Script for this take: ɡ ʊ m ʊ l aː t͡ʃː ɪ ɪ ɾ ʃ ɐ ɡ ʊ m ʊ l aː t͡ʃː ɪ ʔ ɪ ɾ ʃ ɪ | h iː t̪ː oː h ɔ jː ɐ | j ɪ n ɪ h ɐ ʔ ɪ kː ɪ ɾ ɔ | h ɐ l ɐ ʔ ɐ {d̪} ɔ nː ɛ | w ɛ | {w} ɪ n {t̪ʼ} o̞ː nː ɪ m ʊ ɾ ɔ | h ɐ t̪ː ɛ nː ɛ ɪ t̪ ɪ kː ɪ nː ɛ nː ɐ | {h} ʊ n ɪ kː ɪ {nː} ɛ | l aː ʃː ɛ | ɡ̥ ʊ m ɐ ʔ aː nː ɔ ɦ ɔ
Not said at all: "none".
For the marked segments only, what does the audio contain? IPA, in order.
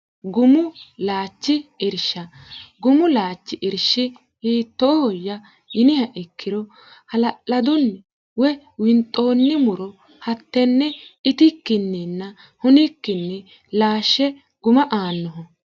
d̪, w, t̪ʼ, h, nː

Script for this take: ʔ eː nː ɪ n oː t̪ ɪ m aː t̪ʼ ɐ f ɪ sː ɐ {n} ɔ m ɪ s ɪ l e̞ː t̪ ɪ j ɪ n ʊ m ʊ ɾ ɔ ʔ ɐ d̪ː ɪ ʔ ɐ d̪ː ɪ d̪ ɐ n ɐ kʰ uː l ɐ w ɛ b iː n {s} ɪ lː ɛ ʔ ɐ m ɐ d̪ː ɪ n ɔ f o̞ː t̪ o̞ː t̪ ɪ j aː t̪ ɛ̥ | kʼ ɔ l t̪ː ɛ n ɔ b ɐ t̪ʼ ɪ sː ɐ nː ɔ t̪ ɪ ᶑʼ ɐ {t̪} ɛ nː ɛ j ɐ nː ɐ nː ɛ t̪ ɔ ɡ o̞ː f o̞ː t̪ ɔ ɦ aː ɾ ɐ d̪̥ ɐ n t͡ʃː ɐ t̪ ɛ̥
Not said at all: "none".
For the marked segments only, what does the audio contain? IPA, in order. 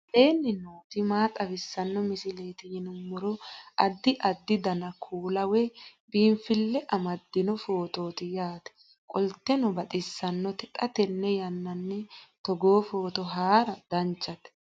nː, f, t̪

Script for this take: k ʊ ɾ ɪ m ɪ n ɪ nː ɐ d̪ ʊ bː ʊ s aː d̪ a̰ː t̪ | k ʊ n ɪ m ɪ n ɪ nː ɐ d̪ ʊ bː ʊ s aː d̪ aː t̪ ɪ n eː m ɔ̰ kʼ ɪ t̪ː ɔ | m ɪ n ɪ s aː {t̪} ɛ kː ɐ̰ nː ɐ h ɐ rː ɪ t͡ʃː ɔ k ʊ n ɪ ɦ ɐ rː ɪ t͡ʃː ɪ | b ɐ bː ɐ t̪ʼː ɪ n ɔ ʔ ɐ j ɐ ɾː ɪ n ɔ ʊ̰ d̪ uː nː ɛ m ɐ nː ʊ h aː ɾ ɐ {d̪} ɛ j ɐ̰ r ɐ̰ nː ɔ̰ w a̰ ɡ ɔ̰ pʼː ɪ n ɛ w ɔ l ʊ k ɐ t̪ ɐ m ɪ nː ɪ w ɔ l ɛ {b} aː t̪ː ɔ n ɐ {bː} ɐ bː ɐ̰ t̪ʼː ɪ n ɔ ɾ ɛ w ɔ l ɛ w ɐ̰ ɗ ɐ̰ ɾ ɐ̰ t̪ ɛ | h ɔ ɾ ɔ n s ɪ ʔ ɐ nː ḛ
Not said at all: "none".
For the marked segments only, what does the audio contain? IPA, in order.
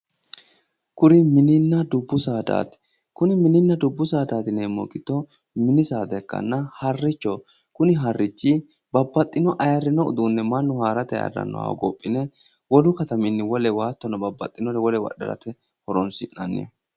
d̪, t̪, w, b

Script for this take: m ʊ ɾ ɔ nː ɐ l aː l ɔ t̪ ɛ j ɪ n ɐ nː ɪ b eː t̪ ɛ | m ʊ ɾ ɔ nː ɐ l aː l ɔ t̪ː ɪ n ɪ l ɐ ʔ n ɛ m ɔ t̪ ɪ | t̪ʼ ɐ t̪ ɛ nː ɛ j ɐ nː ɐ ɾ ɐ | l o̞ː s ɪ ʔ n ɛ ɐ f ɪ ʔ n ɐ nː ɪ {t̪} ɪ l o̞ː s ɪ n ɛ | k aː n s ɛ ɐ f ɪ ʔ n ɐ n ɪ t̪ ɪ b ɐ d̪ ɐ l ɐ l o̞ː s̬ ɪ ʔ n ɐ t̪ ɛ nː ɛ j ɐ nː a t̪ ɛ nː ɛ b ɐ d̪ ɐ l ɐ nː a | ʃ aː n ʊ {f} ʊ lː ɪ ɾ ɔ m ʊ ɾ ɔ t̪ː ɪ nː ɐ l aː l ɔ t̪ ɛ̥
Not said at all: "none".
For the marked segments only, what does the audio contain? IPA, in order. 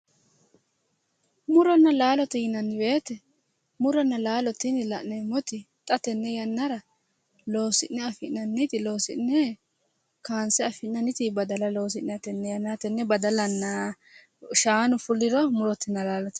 t̪, f

